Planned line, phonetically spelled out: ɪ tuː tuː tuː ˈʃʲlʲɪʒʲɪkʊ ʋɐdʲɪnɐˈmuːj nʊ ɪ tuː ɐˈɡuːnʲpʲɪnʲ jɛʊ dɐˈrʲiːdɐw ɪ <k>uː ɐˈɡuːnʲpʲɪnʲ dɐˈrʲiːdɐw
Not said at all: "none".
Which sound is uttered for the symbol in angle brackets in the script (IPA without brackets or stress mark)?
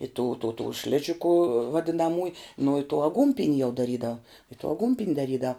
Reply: t